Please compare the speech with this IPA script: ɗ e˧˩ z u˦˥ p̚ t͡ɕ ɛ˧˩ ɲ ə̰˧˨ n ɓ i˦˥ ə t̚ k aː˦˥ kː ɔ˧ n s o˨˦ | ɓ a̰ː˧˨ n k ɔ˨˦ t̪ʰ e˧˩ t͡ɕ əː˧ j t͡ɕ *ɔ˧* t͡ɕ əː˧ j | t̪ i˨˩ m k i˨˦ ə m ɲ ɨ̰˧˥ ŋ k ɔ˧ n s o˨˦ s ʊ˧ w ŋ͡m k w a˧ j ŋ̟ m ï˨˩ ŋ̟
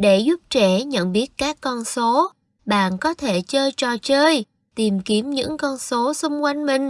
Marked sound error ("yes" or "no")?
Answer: yes